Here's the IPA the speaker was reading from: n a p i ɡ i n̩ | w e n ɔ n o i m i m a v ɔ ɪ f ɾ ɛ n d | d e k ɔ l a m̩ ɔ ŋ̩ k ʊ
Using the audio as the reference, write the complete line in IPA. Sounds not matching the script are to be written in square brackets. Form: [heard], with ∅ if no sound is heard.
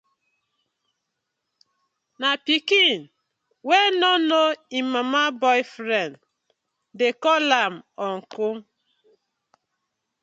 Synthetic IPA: n a p i [k] i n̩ | w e n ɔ n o i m [a] m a [b] ɔ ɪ f ɾ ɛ n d | d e k ɔ l a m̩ ɔ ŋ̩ k ʊ